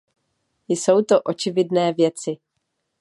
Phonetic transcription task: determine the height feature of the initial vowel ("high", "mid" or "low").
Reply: mid